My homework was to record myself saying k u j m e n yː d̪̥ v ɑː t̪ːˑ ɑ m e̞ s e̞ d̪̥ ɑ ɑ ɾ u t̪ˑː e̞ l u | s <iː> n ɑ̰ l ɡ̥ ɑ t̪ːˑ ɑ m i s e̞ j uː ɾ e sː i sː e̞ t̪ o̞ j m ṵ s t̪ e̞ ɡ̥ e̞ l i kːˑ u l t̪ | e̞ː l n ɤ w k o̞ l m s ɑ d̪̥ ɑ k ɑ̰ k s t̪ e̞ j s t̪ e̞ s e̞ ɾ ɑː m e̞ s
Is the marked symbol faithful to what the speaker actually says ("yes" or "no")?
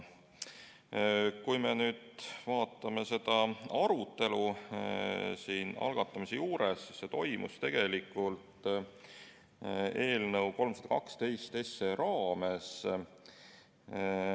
yes